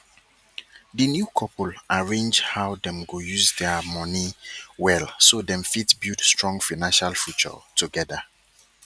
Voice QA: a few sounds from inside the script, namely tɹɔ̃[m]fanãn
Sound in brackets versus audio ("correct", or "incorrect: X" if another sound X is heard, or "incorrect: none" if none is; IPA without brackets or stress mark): incorrect: ŋ